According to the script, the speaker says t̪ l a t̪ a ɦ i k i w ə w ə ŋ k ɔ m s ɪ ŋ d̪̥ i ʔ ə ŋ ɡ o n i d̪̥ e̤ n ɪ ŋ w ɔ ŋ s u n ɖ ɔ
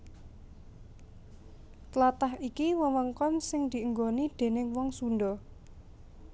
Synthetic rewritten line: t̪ l a t̪ a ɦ i k i w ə w ə ŋ k ɔ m s ɪ ŋ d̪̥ i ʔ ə ŋ ɡ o n i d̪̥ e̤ n ɪ ŋ w ɔ ŋ s u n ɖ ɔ